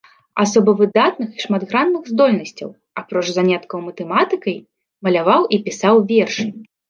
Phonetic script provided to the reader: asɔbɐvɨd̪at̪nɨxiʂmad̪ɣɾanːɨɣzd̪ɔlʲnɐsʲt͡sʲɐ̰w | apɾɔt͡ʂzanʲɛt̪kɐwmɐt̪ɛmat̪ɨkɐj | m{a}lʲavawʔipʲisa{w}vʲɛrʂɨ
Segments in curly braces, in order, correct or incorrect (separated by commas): incorrect, correct